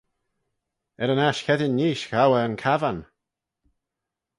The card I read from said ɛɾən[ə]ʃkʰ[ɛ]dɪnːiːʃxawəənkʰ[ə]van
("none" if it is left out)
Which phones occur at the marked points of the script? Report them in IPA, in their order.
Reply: a, ɛ, a

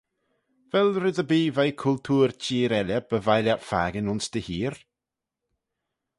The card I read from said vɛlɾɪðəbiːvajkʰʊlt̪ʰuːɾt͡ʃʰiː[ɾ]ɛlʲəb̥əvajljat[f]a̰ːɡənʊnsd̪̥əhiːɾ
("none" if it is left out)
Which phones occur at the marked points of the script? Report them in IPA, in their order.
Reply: ɾ, f

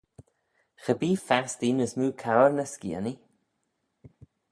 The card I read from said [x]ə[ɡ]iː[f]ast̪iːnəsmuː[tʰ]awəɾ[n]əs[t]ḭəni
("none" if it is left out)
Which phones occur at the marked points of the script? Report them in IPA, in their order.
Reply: x, b, f, kʰ, n, k

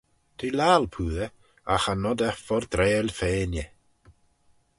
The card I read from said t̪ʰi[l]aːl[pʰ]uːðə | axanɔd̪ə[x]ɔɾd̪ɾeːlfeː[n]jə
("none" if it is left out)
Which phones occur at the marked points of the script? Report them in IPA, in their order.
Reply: l, pʰ, f, n

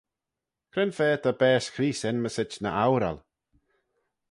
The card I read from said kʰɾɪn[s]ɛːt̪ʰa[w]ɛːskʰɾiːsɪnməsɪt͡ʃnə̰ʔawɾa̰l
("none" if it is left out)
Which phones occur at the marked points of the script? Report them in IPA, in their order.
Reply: f, b

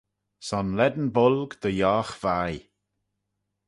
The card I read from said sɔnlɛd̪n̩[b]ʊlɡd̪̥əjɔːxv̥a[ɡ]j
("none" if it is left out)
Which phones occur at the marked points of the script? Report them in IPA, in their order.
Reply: b, none

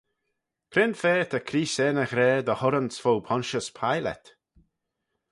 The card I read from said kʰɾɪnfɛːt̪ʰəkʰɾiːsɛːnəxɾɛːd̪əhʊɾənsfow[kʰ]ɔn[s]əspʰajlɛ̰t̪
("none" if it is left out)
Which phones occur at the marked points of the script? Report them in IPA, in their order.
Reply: pʰ, ʃ

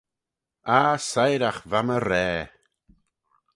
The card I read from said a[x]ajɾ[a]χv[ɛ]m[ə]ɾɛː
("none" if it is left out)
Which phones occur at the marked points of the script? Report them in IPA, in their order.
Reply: s, a, a, ə

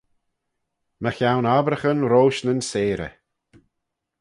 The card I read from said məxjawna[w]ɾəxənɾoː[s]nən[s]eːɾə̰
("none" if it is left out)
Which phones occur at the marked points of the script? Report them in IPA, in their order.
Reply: b, ʃ, s

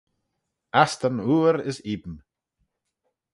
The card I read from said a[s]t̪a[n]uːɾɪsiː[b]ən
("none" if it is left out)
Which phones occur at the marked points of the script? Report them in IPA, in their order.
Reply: s, n, b

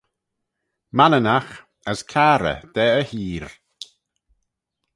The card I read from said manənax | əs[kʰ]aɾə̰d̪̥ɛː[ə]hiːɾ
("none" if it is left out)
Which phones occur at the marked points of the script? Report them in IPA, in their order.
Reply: kʰ, ə

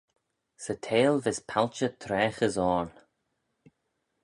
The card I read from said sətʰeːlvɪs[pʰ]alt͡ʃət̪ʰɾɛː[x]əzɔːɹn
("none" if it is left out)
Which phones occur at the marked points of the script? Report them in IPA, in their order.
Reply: pʰ, x

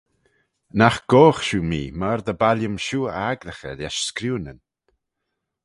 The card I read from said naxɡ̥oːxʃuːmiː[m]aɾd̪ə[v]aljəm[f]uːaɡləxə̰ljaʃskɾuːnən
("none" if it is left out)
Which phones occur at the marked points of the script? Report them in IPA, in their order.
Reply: m, b, ʃ

